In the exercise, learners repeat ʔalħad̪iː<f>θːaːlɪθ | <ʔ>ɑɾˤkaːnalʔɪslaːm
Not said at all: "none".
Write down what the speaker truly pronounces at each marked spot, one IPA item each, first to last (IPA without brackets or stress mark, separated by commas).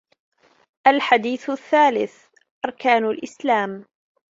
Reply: θ, ʔ